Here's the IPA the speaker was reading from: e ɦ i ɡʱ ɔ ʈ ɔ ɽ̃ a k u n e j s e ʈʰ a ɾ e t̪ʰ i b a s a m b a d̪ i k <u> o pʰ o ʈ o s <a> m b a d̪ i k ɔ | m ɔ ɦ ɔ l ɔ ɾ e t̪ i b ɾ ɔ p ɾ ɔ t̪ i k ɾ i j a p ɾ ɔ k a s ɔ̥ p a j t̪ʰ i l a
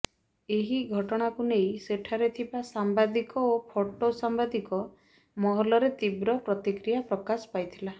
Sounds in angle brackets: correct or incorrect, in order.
incorrect, correct

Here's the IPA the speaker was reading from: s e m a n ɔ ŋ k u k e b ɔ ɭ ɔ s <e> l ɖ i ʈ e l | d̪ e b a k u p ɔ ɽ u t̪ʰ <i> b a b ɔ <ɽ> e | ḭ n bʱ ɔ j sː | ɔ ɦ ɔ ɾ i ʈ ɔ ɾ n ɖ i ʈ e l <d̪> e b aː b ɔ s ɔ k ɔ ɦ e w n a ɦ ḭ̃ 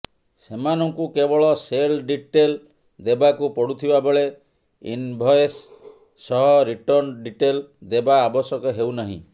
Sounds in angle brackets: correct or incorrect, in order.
correct, correct, incorrect, correct

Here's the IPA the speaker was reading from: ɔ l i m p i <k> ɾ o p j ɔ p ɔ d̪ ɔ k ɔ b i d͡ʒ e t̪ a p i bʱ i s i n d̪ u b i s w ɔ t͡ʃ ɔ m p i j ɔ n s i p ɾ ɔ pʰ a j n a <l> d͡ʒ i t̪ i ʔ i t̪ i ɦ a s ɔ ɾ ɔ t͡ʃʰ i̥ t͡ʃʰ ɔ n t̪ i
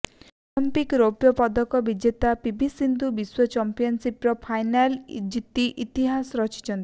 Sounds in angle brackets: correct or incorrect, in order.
correct, correct

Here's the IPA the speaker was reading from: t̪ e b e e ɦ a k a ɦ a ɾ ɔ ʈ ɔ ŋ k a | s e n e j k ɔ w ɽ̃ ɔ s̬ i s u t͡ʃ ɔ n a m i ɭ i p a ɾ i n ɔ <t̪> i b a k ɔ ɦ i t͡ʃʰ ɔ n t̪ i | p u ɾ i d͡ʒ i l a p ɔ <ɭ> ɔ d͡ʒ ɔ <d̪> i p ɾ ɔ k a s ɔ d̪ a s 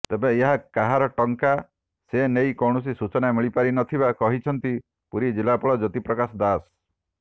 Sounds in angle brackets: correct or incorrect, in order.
incorrect, correct, incorrect

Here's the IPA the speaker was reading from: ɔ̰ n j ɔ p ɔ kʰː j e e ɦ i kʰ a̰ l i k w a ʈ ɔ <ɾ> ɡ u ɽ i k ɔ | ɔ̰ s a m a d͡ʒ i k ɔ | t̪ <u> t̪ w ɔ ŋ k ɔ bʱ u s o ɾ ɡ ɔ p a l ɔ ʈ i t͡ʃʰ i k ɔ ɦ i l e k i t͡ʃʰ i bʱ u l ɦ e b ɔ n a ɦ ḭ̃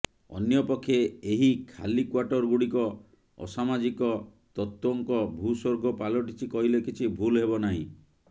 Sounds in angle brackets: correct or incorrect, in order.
correct, incorrect

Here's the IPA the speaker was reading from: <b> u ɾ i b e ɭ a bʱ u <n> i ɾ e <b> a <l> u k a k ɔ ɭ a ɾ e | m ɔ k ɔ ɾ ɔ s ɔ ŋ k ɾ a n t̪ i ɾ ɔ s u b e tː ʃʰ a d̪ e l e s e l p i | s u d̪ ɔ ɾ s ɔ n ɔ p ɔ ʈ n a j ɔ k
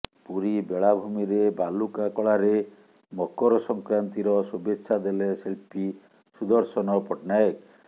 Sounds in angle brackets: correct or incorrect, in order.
incorrect, incorrect, correct, correct

